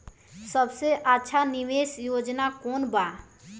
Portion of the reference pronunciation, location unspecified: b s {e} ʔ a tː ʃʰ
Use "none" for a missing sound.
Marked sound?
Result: e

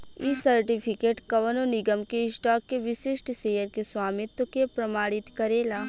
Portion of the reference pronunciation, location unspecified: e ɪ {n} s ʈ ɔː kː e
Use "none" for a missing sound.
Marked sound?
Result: none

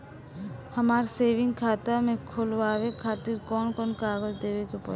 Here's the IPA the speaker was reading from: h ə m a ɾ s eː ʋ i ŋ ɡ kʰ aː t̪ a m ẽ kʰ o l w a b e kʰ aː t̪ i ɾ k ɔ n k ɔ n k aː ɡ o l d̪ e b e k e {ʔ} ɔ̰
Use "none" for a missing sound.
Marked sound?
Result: p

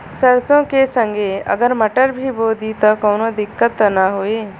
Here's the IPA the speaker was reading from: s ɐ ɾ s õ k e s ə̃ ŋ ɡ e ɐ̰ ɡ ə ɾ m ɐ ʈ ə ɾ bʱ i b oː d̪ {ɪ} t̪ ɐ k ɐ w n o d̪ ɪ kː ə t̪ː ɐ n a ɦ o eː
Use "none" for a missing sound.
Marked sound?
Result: i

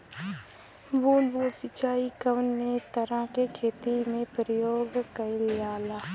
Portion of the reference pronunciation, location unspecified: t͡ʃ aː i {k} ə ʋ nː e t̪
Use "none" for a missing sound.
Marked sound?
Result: k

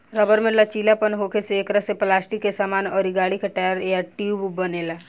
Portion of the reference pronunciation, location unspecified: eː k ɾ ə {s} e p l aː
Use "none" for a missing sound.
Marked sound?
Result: s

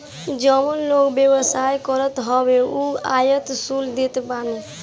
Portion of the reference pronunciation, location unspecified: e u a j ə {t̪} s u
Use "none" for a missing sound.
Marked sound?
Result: t̪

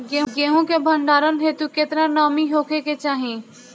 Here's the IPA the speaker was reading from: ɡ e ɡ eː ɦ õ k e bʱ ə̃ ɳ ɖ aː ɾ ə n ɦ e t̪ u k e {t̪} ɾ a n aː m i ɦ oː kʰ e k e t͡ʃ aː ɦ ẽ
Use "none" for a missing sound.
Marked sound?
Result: t̪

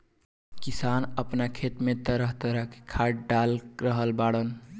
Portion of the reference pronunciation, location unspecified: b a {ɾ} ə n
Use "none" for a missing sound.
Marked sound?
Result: ɽ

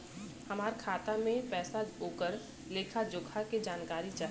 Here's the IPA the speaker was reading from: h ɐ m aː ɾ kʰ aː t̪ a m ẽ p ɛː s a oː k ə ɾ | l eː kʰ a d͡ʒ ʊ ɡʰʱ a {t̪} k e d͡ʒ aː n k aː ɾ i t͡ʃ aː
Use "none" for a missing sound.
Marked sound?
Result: none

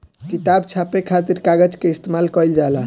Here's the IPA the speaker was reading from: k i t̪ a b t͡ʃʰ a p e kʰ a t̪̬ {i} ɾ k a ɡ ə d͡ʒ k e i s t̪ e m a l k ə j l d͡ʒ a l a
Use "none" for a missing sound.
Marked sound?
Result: i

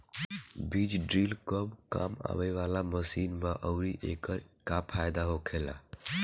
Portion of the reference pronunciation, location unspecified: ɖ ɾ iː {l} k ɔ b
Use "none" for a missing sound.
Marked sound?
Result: l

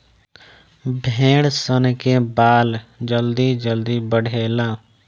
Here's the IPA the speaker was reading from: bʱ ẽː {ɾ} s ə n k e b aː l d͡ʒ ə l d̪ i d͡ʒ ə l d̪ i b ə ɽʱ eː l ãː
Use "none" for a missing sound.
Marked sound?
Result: ɽ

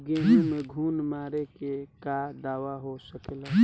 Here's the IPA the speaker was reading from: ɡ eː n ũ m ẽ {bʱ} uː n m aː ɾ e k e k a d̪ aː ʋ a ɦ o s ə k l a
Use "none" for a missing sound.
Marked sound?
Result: ɡʱ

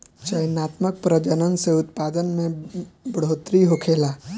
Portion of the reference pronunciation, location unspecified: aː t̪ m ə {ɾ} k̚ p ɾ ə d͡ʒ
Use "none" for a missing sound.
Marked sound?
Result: none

